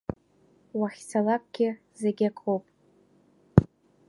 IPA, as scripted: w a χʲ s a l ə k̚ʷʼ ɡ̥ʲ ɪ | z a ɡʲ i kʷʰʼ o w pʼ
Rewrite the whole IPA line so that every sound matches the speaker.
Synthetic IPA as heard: w a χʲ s a l a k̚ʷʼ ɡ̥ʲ ɪ | z e ɡʲ a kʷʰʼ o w pʼ